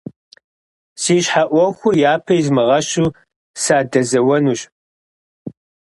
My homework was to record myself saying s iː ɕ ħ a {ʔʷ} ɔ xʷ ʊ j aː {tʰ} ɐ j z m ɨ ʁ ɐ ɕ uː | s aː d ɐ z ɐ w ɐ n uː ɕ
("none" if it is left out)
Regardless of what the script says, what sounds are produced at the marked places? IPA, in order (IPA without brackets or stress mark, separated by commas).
ʔʷ, pʰ